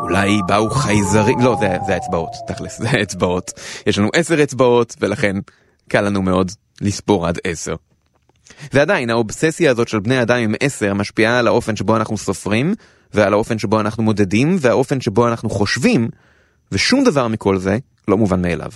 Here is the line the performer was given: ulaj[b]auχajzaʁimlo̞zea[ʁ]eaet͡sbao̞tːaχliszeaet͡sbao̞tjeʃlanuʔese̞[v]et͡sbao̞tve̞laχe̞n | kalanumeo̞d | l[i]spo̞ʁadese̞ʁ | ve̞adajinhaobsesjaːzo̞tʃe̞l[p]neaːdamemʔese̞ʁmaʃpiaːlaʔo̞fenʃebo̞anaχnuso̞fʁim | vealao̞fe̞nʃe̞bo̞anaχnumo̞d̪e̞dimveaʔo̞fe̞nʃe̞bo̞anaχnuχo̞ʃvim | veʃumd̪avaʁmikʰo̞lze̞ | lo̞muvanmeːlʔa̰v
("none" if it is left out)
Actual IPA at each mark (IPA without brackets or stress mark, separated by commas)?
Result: b, z, ʁ, i, b